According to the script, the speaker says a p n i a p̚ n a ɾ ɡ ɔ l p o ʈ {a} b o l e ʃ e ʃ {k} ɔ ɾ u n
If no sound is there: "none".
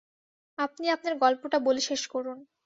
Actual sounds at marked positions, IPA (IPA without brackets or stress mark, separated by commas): a, k